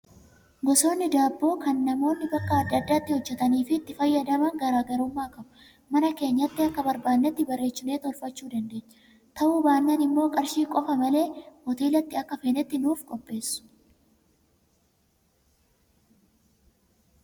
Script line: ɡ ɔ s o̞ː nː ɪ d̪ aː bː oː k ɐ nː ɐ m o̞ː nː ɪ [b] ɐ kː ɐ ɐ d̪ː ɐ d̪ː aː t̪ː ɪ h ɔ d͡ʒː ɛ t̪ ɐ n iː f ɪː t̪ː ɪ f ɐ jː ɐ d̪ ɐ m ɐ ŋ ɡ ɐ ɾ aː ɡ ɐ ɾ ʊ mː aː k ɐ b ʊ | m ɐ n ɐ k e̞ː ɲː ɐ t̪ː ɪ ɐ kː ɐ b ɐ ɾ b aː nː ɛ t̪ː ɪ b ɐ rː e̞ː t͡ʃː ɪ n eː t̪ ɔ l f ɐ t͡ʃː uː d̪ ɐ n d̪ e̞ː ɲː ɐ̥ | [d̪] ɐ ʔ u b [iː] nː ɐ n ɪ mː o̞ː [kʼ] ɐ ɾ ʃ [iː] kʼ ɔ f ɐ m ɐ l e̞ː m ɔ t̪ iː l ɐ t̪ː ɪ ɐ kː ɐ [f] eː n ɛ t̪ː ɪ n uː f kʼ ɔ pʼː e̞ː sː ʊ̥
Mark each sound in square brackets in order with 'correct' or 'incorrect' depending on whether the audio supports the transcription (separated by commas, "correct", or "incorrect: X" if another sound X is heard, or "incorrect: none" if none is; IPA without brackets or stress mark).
correct, incorrect: t̪, incorrect: aː, correct, correct, correct